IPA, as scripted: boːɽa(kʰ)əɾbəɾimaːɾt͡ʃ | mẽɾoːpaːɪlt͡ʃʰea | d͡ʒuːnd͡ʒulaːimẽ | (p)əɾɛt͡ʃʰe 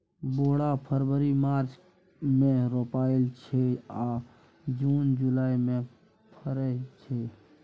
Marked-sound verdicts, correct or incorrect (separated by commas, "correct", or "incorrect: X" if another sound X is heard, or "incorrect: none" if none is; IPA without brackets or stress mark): incorrect: pʰ, incorrect: pʰ